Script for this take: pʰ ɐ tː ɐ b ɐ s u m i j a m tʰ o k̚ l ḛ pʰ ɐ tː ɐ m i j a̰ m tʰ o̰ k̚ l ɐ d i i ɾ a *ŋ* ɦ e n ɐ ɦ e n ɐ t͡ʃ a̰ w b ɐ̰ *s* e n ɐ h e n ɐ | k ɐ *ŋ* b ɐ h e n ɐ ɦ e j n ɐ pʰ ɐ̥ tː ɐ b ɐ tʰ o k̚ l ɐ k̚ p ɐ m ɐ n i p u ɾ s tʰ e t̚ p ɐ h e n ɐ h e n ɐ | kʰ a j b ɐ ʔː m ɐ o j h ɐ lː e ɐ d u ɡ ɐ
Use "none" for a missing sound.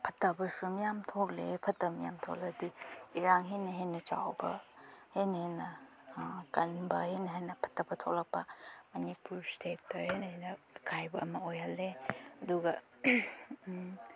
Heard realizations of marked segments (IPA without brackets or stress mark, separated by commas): ŋ, h, n